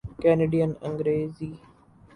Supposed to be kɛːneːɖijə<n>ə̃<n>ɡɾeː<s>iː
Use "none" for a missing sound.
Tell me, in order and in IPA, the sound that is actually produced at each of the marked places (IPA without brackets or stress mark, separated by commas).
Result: n, ŋ, z